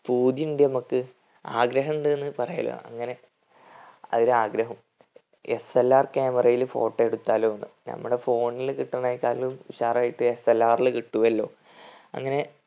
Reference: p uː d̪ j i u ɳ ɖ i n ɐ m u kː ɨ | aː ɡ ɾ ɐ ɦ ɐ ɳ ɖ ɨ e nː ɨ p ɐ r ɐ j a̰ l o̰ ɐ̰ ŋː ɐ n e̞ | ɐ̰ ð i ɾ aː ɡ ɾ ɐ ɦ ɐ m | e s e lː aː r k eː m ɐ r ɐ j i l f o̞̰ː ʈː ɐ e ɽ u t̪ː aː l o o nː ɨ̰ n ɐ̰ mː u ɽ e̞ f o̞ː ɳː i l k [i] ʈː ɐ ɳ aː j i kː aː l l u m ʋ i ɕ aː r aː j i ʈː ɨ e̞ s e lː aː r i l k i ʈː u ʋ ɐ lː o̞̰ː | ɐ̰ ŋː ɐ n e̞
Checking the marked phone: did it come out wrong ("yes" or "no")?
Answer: no